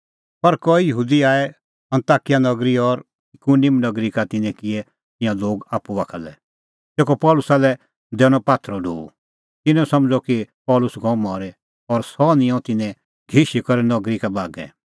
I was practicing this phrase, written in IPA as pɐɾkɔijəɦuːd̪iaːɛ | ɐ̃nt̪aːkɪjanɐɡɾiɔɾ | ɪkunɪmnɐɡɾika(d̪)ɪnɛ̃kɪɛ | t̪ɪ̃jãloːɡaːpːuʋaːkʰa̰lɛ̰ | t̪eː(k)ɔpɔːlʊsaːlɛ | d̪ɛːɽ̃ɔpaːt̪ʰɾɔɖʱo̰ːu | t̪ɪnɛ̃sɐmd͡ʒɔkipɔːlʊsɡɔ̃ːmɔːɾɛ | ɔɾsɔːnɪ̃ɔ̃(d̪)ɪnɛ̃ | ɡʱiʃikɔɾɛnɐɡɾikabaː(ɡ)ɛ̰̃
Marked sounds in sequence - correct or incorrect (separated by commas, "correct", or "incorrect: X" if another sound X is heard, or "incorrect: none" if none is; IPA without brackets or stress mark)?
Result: incorrect: t̪, correct, incorrect: t̪, correct